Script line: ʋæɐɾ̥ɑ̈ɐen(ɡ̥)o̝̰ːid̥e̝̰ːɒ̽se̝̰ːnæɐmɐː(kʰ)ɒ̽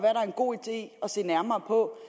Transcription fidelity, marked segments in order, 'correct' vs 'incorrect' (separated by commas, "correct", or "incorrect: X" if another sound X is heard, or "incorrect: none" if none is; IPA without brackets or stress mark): correct, incorrect: pʰ